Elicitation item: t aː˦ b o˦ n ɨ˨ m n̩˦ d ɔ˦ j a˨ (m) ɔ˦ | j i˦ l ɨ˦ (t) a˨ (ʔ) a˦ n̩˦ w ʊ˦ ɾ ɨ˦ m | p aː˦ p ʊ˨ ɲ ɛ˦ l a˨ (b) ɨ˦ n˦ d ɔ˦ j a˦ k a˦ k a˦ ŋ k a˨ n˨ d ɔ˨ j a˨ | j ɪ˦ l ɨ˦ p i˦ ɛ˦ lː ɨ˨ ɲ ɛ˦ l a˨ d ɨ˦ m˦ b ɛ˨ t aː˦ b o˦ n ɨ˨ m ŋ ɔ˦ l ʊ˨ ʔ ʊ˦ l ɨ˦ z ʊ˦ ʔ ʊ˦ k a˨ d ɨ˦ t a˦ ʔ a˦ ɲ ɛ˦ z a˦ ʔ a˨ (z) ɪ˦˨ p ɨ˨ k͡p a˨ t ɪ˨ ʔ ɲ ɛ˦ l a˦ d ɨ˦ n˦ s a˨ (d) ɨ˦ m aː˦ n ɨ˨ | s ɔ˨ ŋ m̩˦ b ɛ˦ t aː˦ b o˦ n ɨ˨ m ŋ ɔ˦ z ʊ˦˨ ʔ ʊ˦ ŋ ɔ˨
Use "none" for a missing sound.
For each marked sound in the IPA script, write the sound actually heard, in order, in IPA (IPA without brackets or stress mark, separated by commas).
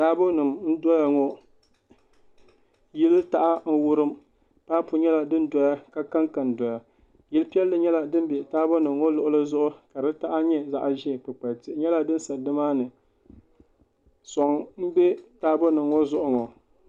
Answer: ŋ, t, ʔ, d, ʒ, d